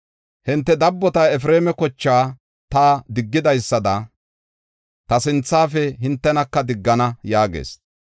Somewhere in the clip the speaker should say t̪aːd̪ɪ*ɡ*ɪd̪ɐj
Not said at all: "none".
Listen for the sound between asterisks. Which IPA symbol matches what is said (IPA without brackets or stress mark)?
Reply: ɡː